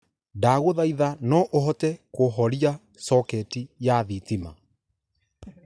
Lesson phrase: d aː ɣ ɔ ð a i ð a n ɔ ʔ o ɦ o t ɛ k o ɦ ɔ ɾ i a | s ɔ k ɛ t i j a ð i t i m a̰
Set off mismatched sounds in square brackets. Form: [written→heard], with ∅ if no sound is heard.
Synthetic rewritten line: d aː ɣ [ɔ→o] ð a i ð a n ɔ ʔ o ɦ [o→ɔ] t ɛ k o ɦ ɔ ɾ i a | s ɔ k ɛ t i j a ð i t i m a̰

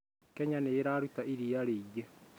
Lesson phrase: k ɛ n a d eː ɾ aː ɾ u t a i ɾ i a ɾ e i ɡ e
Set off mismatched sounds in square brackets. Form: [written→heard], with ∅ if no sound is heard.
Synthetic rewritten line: k ɛ [n→ɲ] a [d→n] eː ɾ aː ɾ u t a i ɾ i a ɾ e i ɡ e

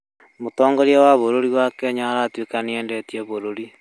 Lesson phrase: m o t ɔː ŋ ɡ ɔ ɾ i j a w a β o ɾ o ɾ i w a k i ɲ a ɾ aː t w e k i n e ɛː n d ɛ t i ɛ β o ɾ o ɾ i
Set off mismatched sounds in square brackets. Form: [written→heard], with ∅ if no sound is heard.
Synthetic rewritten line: m o t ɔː ŋ ɡ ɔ ɾ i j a w a β o ɾ o ɾ i w a k [i→ɛ] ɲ a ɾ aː t w e k [i→a] n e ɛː n d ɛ t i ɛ β o ɾ o ɾ i

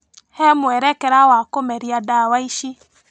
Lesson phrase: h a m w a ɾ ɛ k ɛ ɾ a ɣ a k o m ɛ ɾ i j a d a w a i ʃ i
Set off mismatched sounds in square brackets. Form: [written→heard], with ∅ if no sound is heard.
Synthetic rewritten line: h [a→ɛ] m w [a→ɛ] ɾ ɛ k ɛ ɾ a [ɣ→w] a k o m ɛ ɾ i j a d a w a i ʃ i

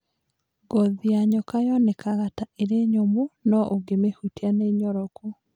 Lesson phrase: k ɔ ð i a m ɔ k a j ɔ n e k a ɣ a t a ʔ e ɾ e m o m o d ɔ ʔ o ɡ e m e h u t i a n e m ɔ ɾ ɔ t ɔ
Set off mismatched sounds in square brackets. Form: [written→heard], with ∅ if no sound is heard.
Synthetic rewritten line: [k→ɡ] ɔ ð i a [m→ɲ] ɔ k a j ɔ n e k a ɣ a t a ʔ e ɾ e [m→ɲ] o m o [d→n] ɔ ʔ o ɡ e m e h u t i a n e [m→ɲ] ɔ ɾ ɔ [t→k] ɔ

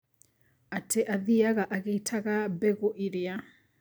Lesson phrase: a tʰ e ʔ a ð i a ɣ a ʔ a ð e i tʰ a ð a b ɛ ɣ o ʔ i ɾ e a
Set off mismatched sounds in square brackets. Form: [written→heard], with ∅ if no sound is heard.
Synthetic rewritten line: a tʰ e ʔ a ð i a ɣ a ʔ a [ð→ɣ] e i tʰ a [ð→ɣ] a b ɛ ɣ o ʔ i ɾ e a

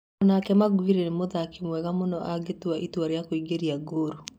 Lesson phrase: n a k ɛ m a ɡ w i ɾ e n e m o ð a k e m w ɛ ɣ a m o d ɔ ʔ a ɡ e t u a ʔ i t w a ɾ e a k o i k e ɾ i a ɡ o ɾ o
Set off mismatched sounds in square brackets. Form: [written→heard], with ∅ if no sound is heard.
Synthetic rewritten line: n a k ɛ m a ɡ w i ɾ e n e m o ð a k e m w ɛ ɣ a m o [d→n] ɔ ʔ a ɡ e t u a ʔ i t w a ɾ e a k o i [k→ɡ] e ɾ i a ɡ o ɾ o

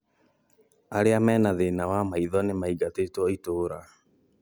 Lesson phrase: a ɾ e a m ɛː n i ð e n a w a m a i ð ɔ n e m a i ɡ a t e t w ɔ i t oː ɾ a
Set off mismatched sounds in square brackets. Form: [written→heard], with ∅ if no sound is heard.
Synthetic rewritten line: a ɾ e a m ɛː n [i→a] ð e n a w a m a i ð ɔ n e m a i ɡ a t e t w ɔ i t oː ɾ a

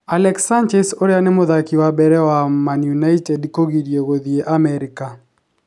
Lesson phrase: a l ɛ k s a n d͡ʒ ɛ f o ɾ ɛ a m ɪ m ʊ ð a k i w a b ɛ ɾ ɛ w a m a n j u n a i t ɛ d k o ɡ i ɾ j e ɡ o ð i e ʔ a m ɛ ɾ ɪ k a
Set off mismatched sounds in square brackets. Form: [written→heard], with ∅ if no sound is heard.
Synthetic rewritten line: a l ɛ k s a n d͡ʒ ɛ [f→s] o ɾ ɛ a [m→n] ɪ m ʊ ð a k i w a b ɛ ɾ ɛ w a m a n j u n a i t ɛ d k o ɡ i ɾ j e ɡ o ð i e ʔ a m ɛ ɾ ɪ k a

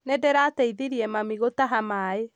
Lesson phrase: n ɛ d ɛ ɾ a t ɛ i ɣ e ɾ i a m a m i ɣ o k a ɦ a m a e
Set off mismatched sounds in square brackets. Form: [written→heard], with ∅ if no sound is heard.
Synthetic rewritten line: n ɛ d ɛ ɾ a t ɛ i [ɣ→ð] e ɾ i [a→ɛ] m a m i ɣ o [k→t] a ɦ a m a e

